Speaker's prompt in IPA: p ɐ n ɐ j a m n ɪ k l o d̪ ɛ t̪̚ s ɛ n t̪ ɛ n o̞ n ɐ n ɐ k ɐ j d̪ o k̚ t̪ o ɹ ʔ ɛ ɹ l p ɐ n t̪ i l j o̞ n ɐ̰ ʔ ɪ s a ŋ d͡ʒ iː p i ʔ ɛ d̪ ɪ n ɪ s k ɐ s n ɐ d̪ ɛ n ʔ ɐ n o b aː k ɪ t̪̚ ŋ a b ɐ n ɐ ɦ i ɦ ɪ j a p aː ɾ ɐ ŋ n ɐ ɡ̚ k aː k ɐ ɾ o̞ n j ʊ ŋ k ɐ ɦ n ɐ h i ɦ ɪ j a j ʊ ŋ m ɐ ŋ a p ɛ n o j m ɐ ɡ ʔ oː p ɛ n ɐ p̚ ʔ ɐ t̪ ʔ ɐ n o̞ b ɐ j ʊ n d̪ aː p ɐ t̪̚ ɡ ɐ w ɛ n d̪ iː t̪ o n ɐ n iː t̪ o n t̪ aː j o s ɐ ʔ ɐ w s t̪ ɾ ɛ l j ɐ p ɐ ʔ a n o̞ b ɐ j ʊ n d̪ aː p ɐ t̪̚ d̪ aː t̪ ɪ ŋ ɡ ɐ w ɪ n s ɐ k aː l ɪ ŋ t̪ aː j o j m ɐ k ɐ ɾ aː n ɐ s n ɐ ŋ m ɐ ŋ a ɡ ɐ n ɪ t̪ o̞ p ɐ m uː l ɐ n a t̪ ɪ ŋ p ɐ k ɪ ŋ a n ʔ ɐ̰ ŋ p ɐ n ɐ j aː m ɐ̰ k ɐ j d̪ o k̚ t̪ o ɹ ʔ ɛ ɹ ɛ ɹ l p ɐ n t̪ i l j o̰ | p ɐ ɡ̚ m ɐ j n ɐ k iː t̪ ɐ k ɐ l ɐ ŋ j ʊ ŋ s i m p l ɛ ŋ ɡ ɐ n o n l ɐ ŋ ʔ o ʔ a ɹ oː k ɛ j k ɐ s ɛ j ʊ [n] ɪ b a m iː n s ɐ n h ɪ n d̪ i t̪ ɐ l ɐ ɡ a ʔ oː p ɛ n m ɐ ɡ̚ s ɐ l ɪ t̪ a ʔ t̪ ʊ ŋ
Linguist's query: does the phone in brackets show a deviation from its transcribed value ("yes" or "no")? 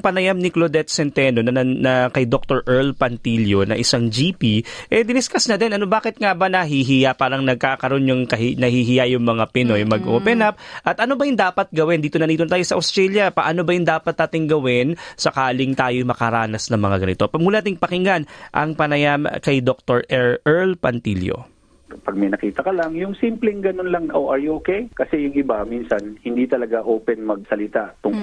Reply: yes